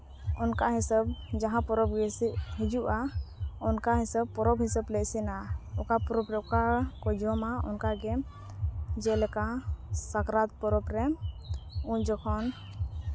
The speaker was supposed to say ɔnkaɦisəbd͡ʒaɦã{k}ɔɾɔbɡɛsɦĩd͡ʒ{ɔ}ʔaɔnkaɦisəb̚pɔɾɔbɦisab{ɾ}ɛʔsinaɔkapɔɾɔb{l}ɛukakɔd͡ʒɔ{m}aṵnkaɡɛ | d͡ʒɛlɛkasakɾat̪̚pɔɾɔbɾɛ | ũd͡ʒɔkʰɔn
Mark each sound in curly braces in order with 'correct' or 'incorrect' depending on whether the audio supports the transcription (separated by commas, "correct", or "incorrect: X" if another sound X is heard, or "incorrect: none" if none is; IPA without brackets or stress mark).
incorrect: p, incorrect: u, incorrect: l, incorrect: ɾ, correct